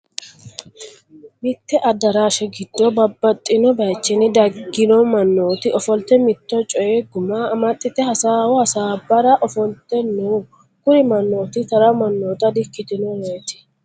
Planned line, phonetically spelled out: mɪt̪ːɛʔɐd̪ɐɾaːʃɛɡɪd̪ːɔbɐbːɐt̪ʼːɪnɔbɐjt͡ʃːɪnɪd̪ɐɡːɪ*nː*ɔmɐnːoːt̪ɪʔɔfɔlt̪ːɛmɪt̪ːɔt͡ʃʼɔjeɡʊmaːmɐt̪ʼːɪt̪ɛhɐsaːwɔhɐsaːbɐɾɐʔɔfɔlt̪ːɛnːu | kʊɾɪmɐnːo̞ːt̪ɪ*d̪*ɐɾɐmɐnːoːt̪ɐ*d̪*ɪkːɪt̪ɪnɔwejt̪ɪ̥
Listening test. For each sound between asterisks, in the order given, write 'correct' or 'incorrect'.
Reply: incorrect, incorrect, correct

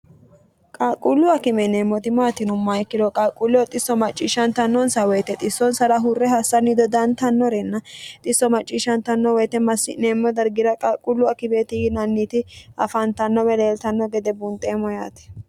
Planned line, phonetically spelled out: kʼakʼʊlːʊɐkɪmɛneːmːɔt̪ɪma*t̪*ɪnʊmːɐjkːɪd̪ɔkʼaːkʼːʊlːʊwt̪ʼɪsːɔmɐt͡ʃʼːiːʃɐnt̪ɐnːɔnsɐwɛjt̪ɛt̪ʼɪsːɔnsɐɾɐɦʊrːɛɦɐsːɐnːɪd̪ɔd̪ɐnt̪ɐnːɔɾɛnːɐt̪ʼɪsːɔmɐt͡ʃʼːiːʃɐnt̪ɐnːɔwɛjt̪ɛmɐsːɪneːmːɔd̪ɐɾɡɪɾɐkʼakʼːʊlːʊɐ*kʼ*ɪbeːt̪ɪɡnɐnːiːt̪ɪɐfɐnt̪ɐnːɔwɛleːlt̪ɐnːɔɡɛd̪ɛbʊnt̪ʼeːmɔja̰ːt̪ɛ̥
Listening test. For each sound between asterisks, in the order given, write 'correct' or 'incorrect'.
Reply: correct, incorrect

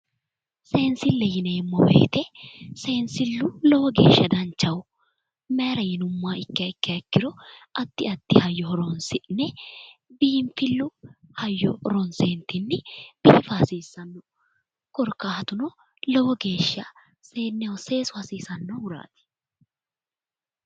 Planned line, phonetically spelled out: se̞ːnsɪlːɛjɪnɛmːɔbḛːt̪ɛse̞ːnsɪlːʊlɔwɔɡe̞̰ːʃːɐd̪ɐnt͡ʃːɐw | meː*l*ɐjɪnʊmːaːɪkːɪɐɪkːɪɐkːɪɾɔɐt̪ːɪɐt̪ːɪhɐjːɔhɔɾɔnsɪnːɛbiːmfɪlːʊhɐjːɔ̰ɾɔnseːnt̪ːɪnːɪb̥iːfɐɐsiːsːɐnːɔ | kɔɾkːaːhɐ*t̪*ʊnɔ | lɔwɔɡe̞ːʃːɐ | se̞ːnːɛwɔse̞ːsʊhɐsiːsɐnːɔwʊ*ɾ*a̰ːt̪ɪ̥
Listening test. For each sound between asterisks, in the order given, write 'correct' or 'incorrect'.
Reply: incorrect, correct, correct

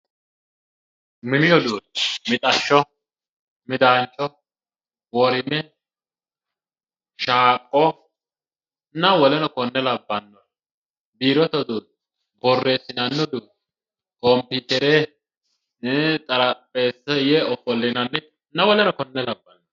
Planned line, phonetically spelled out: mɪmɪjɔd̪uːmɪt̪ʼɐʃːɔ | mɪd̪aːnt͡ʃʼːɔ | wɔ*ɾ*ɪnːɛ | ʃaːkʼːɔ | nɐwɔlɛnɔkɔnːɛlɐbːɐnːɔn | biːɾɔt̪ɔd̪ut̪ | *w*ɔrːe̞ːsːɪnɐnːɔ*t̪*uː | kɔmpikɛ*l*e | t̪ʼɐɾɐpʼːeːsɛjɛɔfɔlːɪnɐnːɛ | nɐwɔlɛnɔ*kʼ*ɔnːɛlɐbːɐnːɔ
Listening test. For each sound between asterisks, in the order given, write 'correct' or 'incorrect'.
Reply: correct, incorrect, incorrect, incorrect, incorrect

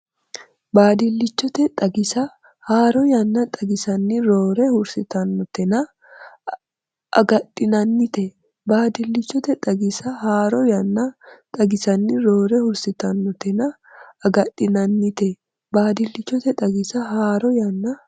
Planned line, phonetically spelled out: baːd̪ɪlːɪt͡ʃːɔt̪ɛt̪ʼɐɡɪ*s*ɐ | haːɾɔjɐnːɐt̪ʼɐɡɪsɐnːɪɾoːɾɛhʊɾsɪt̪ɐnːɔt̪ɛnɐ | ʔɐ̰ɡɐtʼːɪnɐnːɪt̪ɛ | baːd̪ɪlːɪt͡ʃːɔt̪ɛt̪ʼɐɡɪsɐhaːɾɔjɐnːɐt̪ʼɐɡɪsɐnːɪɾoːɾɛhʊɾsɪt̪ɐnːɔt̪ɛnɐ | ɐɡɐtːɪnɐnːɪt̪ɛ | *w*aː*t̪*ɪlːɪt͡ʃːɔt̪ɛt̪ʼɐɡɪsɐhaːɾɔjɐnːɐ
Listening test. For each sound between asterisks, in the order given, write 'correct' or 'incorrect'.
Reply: correct, incorrect, incorrect

